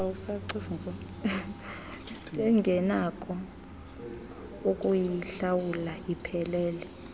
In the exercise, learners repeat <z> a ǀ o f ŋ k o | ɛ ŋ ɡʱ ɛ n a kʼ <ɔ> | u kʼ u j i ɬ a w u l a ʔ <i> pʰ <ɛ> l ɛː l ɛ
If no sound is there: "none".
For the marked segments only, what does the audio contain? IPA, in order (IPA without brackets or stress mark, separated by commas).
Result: s, ɔ, i, ɛ